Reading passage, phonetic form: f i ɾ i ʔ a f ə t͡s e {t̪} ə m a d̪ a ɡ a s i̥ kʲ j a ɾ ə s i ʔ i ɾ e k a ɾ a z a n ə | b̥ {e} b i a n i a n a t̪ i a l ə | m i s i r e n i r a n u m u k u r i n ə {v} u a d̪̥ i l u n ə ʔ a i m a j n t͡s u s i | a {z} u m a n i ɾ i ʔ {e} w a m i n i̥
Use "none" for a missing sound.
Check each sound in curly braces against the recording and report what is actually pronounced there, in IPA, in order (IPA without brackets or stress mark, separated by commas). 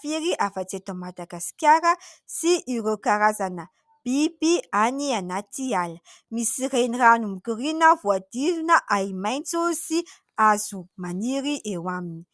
t̪, i, v, z, e